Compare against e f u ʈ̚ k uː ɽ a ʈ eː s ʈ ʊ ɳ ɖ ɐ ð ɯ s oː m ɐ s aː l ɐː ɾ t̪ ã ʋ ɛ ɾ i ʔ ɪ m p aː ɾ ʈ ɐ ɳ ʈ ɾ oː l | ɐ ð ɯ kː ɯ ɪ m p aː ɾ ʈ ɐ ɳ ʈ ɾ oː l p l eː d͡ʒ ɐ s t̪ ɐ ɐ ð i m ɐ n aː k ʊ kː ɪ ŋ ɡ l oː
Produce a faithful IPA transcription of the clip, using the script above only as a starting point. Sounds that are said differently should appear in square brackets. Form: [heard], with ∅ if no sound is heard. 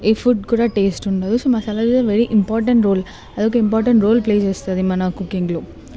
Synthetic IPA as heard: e f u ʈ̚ k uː ɽ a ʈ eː s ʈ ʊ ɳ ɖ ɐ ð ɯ s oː m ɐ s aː l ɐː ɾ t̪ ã ʋ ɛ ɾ i ʔ ɪ m p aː ɾ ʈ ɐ ɳ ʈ ɾ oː l | ɐ ð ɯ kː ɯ ɪ m p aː ɾ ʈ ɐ ɳ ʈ ɾ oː l p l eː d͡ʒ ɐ s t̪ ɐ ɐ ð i m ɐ n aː k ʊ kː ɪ ŋ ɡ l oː